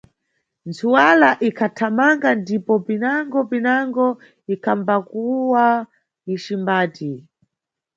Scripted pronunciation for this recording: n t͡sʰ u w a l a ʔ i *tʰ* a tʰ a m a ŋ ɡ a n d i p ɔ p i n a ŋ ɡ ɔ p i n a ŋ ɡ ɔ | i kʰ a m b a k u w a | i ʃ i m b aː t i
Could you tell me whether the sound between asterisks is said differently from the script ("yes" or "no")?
yes